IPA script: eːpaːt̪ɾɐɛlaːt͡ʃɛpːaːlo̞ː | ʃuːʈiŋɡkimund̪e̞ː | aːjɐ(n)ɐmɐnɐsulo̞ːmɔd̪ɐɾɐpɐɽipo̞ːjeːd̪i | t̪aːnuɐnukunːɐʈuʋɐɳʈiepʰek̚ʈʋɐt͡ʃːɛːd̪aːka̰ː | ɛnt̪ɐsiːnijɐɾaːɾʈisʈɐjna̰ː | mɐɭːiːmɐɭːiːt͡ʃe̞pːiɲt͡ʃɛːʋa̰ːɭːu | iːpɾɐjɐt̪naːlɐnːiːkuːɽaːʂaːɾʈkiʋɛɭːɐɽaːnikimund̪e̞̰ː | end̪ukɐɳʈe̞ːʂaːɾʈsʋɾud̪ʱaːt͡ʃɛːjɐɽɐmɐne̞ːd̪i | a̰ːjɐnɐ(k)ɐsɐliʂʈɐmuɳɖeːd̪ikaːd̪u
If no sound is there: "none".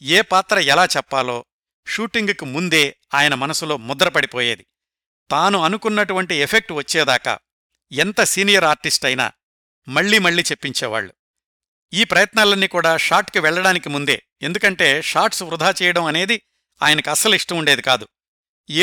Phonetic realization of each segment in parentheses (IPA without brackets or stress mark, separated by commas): n, k